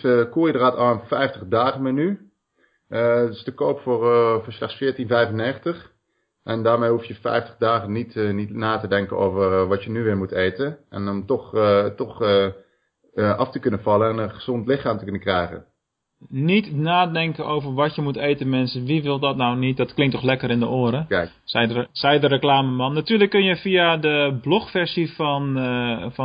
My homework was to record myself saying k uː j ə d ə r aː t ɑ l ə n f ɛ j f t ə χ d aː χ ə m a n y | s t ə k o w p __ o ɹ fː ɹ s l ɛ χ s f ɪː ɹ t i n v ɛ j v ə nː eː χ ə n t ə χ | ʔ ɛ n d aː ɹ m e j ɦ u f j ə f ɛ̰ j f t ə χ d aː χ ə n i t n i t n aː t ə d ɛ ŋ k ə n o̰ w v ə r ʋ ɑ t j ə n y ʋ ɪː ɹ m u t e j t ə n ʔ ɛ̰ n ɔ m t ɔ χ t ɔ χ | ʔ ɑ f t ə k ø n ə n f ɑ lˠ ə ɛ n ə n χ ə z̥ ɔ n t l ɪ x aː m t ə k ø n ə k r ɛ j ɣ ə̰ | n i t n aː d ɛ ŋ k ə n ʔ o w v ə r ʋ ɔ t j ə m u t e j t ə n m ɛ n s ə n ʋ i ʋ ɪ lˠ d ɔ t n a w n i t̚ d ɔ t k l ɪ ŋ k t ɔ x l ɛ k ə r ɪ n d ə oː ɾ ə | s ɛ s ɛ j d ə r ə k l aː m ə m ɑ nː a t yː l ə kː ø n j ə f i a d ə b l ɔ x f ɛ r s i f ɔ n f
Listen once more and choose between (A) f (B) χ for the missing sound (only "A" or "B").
A